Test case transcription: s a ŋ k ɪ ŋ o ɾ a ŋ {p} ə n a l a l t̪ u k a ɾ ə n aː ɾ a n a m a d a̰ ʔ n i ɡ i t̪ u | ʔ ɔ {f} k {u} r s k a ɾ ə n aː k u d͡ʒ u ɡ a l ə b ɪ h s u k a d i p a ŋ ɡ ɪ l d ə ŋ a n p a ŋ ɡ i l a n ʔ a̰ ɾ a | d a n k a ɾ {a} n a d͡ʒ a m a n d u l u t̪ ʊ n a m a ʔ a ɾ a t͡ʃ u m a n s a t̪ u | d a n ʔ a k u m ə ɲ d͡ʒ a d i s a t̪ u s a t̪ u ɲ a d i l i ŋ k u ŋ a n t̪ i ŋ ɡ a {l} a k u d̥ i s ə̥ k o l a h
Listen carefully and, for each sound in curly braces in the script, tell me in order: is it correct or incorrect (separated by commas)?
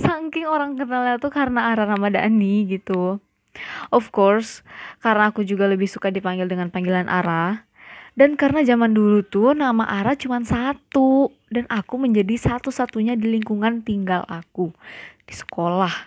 incorrect, correct, incorrect, incorrect, correct